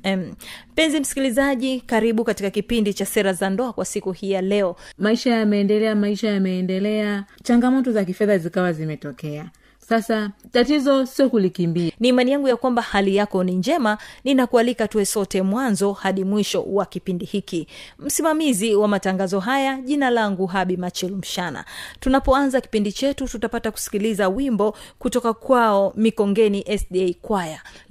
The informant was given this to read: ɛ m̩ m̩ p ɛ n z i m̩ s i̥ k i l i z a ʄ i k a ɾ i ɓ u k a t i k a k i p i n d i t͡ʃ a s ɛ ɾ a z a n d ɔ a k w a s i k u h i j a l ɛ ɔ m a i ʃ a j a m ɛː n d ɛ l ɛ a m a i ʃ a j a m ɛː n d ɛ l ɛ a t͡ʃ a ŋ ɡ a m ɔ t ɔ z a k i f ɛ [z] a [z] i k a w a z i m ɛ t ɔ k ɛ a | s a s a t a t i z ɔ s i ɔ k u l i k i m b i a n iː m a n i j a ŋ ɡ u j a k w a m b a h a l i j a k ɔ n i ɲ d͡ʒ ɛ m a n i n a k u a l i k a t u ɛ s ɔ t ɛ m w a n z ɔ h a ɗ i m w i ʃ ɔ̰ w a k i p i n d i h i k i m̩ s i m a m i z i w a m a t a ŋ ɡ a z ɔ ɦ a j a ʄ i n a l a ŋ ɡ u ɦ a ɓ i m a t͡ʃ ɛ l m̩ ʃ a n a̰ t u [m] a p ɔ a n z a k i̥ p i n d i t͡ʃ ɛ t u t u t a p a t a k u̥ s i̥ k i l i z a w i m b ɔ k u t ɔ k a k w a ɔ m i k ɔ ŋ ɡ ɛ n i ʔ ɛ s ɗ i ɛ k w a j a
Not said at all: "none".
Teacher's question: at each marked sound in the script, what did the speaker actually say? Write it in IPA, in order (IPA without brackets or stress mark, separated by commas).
ð, z, n